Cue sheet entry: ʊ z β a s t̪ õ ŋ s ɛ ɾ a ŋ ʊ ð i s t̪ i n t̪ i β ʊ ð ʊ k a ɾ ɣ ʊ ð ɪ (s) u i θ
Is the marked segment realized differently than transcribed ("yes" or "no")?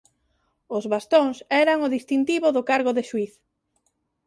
yes